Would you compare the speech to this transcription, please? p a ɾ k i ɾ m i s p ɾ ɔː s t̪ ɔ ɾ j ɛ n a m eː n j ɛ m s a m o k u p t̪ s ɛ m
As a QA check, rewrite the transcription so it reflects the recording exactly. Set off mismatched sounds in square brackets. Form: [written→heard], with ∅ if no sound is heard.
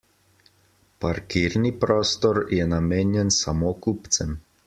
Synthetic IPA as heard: p a ɾ k i ɾ [m→n] i [s→∅] p ɾ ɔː s t̪ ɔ ɾ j ɛ n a m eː n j ɛ [m→n] s a m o k u p t̪ s ɛ m